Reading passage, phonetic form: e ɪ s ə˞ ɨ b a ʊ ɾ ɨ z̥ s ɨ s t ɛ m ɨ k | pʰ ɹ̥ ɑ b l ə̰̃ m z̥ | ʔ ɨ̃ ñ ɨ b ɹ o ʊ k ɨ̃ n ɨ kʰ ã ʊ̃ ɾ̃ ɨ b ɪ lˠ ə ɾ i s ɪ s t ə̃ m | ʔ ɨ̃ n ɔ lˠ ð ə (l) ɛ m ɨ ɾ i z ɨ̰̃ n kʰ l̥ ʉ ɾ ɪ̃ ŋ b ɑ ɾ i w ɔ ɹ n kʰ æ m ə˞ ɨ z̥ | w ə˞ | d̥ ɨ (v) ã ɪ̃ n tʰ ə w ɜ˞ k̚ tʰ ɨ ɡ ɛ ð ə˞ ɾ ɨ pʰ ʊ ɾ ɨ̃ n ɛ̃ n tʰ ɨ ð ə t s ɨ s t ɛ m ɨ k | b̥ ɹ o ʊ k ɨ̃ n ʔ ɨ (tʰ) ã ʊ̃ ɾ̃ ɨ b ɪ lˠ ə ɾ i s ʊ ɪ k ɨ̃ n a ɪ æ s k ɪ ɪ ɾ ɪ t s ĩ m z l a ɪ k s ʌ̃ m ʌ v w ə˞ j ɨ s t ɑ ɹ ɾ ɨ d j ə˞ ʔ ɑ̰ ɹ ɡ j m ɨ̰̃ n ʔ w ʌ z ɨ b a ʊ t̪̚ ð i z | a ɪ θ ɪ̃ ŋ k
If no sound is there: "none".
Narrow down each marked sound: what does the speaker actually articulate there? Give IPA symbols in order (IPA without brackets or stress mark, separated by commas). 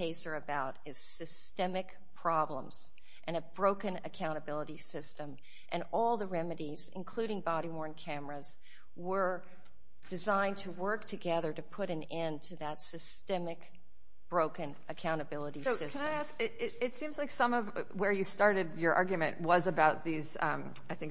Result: ɹ, z, kʰ